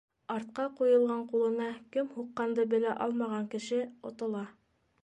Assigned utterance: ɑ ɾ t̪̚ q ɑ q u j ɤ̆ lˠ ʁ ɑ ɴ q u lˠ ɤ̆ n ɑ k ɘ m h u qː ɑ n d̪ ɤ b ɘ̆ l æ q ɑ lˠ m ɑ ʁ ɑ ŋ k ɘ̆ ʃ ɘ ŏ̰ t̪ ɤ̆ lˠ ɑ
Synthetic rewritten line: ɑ ɾ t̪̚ q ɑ q u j ɤ̆ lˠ ʁ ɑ ɴ q u lˠ ɤ̆ n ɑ k ɘ m h u qː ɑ n d̪ ɤ b ɘ̆ l æ ʔ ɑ lˠ m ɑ ʁ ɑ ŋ k ɘ̆ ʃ ɘ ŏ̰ t̪ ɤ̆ lˠ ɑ